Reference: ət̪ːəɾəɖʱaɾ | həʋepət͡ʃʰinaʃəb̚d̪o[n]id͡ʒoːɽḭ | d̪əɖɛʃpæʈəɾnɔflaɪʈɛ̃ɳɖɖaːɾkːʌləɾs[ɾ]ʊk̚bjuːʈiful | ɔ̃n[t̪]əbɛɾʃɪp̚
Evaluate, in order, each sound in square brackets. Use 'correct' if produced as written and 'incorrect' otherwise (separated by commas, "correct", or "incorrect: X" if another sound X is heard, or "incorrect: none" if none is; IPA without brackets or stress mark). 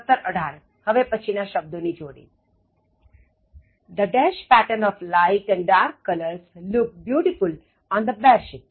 correct, incorrect: l, incorrect: d̪